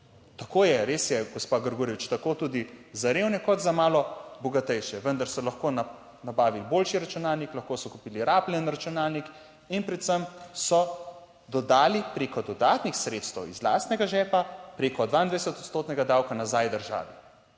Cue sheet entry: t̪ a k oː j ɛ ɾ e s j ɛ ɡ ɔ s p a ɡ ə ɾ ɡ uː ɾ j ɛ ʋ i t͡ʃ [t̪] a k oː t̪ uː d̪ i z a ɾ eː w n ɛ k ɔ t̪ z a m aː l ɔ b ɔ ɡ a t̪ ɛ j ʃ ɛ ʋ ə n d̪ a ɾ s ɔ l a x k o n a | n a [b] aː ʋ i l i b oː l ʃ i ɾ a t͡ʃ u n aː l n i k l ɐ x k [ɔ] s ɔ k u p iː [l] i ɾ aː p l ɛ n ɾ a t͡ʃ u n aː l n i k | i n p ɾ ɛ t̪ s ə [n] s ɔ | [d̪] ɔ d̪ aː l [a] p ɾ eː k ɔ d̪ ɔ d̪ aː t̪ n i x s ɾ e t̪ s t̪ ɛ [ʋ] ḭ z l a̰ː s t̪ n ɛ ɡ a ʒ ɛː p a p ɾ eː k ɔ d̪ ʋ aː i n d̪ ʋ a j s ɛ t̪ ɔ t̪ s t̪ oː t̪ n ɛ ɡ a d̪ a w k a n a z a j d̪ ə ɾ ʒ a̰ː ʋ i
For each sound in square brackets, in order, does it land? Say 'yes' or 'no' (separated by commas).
yes, yes, no, yes, no, yes, no, no